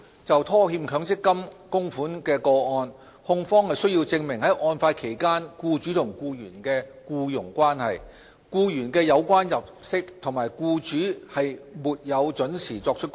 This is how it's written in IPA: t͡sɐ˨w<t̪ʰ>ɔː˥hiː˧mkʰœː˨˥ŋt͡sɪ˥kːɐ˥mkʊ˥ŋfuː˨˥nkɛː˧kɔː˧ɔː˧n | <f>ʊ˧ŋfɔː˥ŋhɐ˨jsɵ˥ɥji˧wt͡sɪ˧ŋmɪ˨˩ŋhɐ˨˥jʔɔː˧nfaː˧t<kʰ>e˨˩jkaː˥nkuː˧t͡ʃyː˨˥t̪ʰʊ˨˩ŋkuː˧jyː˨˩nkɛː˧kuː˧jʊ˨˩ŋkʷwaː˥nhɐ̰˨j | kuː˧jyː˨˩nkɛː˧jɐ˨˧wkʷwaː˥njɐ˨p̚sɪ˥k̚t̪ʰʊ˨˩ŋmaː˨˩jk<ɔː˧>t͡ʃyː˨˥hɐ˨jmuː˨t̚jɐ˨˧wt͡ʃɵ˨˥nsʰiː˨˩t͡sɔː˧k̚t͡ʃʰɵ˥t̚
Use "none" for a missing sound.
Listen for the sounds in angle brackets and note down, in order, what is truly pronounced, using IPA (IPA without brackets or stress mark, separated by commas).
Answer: t̪ʰ, h, kʰ, uː˧